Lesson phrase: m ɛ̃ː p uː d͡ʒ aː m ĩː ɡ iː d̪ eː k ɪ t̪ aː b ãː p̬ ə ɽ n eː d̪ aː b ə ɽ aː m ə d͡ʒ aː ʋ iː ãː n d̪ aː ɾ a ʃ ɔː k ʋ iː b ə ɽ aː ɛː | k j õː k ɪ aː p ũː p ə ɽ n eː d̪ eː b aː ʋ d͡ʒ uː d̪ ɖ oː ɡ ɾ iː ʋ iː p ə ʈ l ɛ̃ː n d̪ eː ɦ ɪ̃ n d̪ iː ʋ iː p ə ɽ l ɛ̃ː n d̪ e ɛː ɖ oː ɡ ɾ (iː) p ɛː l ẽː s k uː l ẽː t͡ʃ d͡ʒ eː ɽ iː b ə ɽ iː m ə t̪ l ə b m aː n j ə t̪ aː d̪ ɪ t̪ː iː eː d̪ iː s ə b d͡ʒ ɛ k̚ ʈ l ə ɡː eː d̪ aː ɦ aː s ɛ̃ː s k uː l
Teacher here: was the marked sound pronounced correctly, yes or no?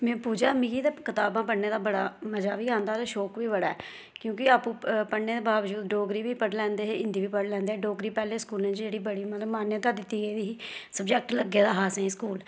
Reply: yes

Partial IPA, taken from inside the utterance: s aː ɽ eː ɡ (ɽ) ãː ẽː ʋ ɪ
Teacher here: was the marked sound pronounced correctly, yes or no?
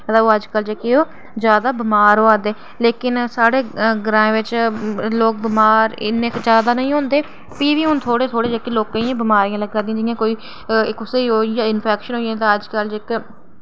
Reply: no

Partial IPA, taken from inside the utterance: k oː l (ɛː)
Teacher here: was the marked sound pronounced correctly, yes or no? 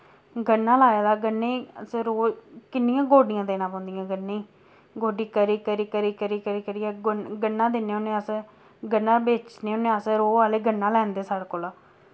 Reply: no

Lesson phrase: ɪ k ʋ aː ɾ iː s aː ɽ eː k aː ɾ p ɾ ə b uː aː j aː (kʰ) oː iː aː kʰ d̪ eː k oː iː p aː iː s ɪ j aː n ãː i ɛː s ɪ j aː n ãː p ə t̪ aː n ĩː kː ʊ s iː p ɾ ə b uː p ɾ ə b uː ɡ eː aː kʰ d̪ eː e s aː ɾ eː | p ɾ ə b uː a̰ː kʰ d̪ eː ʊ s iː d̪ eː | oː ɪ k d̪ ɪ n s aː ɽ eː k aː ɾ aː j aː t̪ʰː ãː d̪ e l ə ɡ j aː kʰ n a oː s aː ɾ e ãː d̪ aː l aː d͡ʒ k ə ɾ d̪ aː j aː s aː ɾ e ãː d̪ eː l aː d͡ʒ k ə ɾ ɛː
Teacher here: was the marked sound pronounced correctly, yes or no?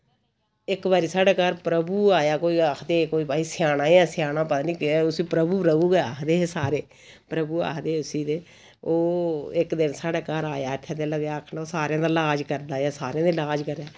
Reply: no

